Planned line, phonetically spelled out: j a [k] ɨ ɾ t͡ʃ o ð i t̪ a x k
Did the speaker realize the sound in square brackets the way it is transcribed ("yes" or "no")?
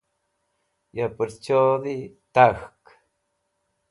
no